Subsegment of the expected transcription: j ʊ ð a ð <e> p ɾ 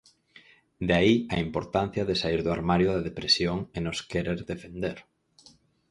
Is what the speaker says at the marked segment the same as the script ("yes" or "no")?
yes